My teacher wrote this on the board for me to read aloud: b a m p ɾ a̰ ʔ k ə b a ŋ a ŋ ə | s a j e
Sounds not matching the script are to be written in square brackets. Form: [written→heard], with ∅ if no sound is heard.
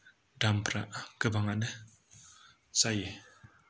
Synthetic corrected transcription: [b→d] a m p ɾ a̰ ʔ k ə b a ŋ a [ŋ→n] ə | s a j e